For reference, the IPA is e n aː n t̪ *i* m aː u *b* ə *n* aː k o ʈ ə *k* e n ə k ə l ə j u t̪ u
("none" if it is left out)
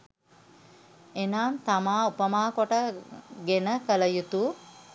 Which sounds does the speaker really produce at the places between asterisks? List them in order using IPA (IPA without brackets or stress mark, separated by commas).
a, p, m, ɡ